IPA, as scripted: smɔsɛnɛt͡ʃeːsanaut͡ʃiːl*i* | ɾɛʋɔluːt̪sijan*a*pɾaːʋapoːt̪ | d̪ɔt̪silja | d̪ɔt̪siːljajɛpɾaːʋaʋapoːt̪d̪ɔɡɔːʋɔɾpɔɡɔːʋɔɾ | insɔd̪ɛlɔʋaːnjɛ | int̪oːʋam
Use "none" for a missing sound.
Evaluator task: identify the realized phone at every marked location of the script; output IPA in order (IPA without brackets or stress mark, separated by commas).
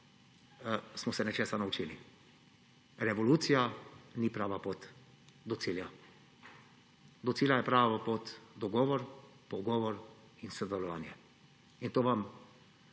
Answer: i, i